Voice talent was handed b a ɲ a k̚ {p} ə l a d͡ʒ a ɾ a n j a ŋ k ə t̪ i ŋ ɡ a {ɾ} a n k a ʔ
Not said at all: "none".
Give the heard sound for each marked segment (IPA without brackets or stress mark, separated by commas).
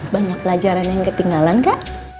p, l